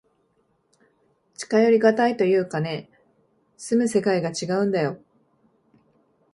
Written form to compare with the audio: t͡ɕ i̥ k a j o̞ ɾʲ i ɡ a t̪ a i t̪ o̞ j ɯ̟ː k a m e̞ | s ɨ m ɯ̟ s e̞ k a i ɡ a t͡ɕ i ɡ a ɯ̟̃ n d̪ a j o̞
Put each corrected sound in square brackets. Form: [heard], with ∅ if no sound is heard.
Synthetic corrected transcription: t͡ɕ i̥ k a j o̞ ɾʲ i ɡ a t̪ a i t̪ o̞ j ɯ̟ː k a [n] e̞ | s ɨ m ɯ̟ s e̞ k a i ɡ a t͡ɕ i ɡ a ɯ̟̃ n d̪ a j o̞